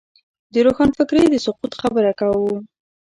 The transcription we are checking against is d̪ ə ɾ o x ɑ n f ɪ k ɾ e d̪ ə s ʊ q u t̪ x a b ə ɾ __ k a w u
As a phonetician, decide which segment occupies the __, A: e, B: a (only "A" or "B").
B